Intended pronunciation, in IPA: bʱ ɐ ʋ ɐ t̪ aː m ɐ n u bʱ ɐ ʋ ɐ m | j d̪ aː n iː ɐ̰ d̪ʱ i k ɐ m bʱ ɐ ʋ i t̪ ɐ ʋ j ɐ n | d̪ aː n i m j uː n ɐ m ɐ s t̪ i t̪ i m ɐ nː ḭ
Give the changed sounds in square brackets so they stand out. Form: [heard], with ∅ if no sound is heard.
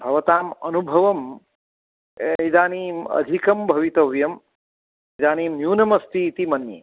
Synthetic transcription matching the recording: bʱ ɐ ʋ ɐ t̪ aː m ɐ n u bʱ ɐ ʋ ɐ m | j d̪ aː n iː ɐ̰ d̪ʱ i k ɐ m bʱ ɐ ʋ i t̪ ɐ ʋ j ɐ [m] | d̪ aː n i m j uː n ɐ m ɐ s t̪ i t̪ i m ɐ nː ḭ